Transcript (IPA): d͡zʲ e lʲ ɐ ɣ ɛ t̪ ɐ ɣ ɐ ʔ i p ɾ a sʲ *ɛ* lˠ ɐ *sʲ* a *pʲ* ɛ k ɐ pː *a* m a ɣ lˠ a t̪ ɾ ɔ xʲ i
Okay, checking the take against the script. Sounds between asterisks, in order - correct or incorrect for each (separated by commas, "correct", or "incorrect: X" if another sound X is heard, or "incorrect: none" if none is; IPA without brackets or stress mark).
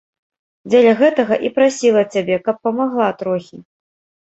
incorrect: i, incorrect: t͡sʲ, incorrect: bʲ, incorrect: ɐ